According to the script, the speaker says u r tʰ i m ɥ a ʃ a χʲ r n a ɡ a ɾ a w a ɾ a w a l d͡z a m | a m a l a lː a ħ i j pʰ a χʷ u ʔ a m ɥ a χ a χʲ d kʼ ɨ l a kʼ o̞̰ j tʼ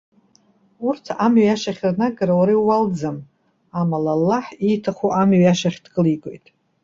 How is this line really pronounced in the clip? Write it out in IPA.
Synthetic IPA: u r tʰ a m ɥ a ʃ a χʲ r n a ɡ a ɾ a w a ɾ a w a l d͡z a m | a m a l a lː a ħ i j tʰ a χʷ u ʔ a m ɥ a ʃ a χʲ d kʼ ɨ l i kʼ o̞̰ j tʼ